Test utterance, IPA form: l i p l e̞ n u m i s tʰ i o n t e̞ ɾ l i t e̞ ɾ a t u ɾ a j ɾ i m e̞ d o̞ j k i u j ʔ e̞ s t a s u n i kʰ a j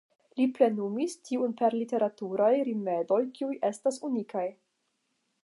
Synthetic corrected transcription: l i p l e̞ n u m i s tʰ i u n p e̞ ɾ l i t e̞ ɾ a t u ɾ a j ɾ i m e̞ d o̞ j k i u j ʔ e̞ s t a s u n i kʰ a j